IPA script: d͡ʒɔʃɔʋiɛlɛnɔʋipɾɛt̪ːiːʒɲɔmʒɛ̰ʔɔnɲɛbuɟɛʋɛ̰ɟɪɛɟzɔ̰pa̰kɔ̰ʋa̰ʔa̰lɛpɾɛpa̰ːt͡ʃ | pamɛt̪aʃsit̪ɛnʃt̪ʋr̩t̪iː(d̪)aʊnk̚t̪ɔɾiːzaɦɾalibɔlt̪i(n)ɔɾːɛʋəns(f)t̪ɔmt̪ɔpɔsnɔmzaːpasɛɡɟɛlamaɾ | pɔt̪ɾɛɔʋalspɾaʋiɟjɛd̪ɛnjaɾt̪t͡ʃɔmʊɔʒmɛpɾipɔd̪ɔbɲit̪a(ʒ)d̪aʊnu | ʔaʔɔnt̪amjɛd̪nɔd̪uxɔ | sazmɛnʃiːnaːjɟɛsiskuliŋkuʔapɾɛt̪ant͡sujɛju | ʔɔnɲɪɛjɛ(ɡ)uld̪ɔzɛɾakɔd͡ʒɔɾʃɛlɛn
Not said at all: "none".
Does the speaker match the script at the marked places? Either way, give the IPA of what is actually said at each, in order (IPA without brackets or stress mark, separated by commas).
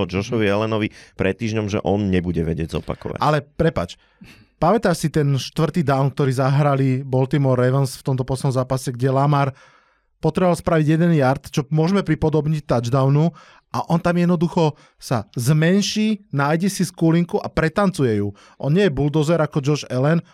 d̪, m, f, d͡ʒ, b